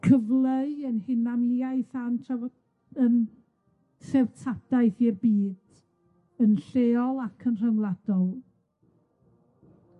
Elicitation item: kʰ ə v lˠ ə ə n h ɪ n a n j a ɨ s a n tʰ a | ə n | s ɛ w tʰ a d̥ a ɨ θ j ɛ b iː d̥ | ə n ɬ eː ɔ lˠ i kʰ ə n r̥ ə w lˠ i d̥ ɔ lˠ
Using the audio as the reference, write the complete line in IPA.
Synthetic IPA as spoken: kʰ ə v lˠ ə ə n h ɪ n a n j a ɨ θ a n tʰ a | ə n | s ɛ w tʰ a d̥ a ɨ θ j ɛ b iː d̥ | ə n ɬ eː ɔ lˠ a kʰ ə n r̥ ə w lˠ a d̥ ɔ lˠ